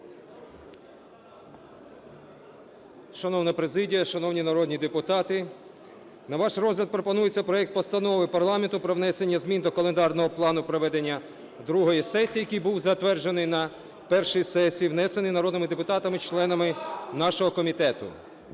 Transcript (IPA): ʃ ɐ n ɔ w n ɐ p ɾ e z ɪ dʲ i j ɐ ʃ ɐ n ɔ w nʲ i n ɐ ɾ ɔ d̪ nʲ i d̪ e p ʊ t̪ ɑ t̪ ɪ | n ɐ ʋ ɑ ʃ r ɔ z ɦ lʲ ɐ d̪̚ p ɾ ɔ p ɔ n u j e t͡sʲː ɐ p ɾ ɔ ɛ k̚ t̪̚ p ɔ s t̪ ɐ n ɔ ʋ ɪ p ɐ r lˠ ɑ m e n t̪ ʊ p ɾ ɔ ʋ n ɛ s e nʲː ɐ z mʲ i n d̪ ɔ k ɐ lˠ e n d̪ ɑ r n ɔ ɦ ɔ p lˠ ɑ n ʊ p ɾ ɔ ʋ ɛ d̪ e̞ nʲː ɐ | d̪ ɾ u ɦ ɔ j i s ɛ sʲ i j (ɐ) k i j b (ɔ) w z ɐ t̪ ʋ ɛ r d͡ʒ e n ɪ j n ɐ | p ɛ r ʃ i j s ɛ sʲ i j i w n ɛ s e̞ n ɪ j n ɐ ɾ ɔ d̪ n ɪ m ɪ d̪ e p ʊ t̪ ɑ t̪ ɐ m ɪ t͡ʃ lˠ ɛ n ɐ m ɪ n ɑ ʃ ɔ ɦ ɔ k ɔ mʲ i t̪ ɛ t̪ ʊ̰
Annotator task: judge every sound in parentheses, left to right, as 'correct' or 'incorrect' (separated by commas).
correct, incorrect